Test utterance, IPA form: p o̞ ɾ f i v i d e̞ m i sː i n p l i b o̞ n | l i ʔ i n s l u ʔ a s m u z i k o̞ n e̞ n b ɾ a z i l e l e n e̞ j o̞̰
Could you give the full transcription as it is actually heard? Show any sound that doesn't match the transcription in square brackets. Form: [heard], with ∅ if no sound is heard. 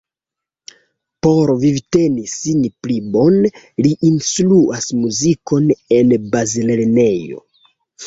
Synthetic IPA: p o̞ ɾ [v] i v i [t] e̞ [n] i [s] i n p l i b o̞ n | l i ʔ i n s l u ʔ a s m u z i k o̞ n e̞ n b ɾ a z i l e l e n e̞ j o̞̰